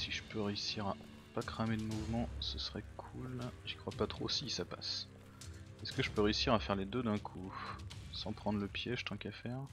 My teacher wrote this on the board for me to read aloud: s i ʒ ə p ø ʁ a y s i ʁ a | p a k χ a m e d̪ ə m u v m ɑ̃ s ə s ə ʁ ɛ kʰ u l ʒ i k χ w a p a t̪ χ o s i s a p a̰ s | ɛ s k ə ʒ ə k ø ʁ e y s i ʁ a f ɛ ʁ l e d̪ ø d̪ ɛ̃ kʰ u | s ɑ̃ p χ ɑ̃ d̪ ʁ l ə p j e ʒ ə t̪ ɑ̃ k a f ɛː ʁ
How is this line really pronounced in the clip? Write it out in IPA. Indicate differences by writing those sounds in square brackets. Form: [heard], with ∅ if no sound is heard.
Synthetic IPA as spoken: s i ʒ ə p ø ʁ [e] y s i ʁ a | p a k χ a m e d̪ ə m u v m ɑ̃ s ə s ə ʁ ɛ kʰ u l ʒ i k χ w a p a t̪ χ o s i s a p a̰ s | ɛ s k ə ʒ ə [p] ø ʁ e y s i ʁ a f ɛ ʁ l e d̪ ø d̪ ɛ̃ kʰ u | s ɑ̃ p χ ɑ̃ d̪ ʁ l ə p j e ʒ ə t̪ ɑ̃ k a f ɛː ʁ